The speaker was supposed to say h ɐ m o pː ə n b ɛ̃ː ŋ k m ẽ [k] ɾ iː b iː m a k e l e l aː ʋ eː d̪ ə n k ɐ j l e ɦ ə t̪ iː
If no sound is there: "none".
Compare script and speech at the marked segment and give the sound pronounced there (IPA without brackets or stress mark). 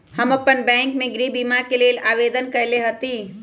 ɡ